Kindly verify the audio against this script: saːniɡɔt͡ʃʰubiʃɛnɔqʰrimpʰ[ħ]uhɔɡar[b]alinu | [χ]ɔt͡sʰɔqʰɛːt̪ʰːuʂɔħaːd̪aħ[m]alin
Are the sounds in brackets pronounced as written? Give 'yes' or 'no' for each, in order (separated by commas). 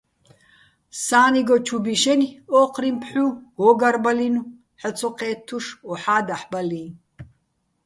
yes, yes, no, no